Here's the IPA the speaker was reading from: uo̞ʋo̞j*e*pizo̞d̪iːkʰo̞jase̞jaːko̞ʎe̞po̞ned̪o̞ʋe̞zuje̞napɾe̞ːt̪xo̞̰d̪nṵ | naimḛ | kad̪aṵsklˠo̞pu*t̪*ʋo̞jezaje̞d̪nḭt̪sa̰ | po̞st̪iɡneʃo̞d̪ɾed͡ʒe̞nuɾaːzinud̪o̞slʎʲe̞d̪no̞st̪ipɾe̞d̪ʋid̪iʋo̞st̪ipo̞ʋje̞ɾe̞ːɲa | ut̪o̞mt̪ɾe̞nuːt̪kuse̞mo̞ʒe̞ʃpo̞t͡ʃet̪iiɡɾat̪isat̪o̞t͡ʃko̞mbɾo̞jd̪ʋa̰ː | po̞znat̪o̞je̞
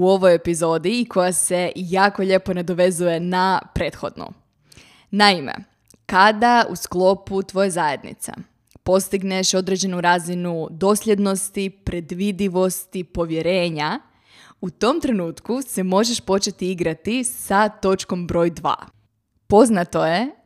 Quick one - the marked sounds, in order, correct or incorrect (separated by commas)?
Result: correct, correct